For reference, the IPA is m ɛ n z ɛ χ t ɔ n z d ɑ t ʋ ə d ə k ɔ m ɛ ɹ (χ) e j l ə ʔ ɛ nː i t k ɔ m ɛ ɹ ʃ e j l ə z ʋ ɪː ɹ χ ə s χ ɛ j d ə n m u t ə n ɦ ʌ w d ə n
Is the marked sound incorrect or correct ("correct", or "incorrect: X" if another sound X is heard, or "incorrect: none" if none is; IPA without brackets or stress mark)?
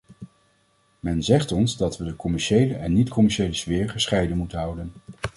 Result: incorrect: ʃ